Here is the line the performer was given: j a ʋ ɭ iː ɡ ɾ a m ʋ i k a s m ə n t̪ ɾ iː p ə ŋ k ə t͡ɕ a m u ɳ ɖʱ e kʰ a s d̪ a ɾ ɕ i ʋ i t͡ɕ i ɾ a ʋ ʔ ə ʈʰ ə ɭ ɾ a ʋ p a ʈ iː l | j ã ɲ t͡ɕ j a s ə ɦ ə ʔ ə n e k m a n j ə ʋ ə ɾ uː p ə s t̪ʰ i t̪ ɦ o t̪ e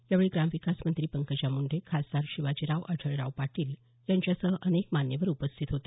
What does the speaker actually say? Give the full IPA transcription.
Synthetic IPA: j a ʋ ɭ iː ɡ ɾ a m ʋ i k a s m ə n t̪ ɾ iː p ə ŋ k ə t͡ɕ a m u ɳ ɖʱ e kʰ a s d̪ a ɾ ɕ i ʋ a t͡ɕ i ɾ a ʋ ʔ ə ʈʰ ə ɭ ɾ a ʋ p a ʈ iː l | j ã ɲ t͡ɕ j a s ə ɦ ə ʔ ə n e k m a n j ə ʋ ə ɾ u p ə s t̪ʰ i t̪ ɦ o t̪ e